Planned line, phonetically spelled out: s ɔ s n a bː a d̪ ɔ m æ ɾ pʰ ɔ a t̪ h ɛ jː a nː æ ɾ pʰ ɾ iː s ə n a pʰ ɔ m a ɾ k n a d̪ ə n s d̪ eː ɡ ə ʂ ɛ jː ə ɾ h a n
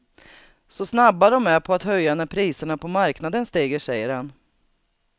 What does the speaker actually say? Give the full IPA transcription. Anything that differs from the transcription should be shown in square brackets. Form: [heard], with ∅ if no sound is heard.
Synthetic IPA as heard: s ɔ s n a bː a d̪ ɔ m æ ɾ pʰ ɔ a t̪ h [œ] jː a [n] æ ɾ pʰ ɾ iː s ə [ɳ] a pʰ ɔ m a ɾ k n a d̪ ə n s [t̪] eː ɡ ə ʂ ɛ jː ə ɾ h a n